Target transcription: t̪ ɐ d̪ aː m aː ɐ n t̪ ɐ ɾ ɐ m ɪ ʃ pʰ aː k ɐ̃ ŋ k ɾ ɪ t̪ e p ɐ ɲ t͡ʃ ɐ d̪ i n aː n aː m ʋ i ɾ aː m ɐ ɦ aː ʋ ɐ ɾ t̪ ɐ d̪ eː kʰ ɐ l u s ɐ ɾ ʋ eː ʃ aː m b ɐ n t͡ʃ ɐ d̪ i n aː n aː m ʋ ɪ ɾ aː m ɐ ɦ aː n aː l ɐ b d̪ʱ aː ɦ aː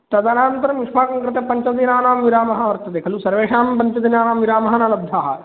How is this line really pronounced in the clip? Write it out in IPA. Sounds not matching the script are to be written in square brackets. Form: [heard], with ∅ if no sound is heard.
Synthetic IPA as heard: t̪ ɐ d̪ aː [n] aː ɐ n t̪ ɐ ɾ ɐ m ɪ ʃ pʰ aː k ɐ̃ ŋ k ɾ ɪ t̪ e p ɐ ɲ t͡ʃ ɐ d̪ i n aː n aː m ʋ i ɾ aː m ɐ ɦ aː ʋ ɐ ɾ t̪ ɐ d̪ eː kʰ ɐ l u s ɐ ɾ ʋ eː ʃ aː m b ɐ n t͡ʃ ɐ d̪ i n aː n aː m ʋ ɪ ɾ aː m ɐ ɦ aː n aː l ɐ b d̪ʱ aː ɦ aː